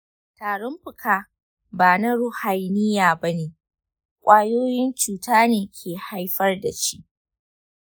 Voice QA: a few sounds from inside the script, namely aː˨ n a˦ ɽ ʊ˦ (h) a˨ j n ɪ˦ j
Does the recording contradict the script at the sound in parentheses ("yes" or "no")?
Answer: no